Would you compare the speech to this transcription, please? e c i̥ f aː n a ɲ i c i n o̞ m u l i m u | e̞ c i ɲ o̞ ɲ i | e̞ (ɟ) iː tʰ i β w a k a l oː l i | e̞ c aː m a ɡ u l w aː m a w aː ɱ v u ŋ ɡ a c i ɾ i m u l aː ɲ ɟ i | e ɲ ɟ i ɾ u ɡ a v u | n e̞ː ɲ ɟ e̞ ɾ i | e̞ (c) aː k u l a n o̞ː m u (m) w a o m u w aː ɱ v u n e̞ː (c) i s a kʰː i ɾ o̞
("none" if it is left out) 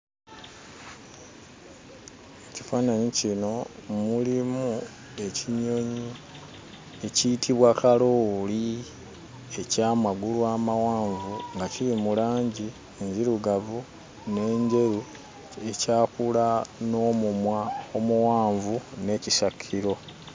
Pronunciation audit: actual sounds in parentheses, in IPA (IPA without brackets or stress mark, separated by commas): c, c, m, c